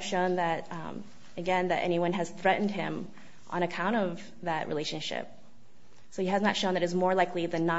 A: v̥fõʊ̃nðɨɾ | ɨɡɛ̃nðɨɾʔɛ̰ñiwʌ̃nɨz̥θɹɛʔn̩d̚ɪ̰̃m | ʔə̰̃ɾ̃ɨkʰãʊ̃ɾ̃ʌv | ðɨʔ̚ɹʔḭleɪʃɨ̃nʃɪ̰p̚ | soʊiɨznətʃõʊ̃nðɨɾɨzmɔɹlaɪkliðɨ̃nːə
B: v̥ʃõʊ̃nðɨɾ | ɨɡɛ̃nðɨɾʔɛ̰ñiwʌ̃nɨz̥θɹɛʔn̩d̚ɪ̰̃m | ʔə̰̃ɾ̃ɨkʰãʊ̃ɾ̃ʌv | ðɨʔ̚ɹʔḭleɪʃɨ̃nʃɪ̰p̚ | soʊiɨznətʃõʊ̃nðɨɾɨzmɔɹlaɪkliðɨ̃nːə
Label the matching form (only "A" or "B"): B